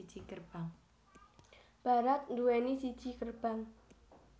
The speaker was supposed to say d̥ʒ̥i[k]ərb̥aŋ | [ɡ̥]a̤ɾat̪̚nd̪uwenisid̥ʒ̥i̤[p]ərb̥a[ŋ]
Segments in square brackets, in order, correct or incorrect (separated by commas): correct, incorrect, incorrect, correct